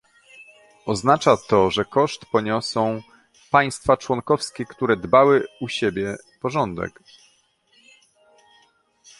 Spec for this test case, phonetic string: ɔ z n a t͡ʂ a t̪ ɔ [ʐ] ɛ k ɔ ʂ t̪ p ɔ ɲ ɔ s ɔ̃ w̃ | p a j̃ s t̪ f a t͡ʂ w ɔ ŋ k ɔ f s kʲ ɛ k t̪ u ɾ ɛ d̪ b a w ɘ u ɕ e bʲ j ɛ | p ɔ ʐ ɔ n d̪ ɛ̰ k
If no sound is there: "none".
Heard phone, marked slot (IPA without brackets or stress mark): ʐ